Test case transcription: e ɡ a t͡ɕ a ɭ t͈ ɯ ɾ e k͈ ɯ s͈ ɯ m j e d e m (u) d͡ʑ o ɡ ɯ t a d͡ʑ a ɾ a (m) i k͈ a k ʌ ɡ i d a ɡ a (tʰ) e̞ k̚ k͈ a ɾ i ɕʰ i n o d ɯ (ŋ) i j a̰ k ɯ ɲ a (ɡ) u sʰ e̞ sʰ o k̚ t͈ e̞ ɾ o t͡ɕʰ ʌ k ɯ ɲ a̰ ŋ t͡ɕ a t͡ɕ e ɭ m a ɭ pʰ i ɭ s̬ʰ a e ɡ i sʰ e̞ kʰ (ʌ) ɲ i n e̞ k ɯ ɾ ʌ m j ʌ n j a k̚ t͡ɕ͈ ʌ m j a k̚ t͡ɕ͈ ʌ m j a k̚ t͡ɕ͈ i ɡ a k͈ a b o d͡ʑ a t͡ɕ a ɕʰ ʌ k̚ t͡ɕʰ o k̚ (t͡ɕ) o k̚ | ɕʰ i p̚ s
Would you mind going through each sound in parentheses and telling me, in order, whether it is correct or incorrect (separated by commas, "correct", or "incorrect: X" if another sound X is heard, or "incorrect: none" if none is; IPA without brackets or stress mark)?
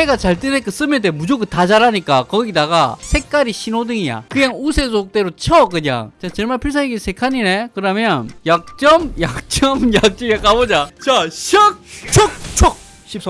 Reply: correct, incorrect: ɲ, incorrect: sʰ, correct, incorrect: ŋ, incorrect: a, incorrect: t͡ɕʰ